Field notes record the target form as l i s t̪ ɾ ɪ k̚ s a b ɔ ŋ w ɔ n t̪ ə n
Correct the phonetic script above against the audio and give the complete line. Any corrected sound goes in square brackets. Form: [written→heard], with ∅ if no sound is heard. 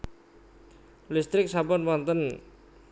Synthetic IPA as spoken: l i s t̪ ɾ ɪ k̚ s a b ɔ [ŋ→n] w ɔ n t̪ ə n